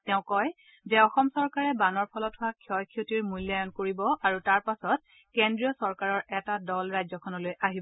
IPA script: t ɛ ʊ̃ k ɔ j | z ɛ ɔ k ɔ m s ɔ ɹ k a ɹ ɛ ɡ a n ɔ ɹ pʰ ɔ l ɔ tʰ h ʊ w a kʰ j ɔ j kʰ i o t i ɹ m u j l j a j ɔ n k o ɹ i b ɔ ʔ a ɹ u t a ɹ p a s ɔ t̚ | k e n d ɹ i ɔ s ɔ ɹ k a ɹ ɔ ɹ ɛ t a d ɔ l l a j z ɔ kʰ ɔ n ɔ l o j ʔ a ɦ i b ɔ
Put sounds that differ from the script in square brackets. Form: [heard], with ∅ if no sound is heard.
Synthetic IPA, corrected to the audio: t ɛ ʊ̃ k ɔ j | z ɛ ɔ [x] ɔ m s ɔ ɹ k a ɹ ɛ [b] a n ɔ ɹ pʰ ɔ l ɔ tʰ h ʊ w a kʰ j ɔ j kʰ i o t i ɹ m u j l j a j ɔ n k o ɹ i b ɔ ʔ a ɹ u t a ɹ p a s ɔ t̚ | k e n d ɹ i ɔ s ɔ ɹ k a ɹ ɔ ɹ ɛ t a d ɔ l [ɹ] a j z ɔ kʰ ɔ n ɔ l o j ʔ a ɦ i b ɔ